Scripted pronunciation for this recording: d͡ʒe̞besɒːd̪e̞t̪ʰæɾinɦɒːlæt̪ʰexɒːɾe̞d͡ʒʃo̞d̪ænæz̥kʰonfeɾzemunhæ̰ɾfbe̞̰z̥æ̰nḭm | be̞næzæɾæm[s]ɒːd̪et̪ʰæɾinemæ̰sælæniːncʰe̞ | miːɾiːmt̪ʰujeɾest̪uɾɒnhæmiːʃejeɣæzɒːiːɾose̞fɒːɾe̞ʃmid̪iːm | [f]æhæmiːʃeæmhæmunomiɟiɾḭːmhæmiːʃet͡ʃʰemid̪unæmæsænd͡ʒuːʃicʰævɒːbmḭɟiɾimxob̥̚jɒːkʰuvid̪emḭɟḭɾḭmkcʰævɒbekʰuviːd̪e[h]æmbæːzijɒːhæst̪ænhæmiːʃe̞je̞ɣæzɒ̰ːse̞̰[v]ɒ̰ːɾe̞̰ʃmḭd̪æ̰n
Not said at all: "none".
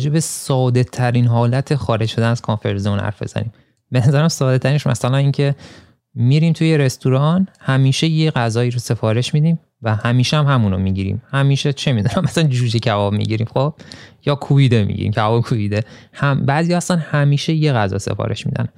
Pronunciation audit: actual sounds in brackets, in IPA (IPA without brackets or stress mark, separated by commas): s, v, h, f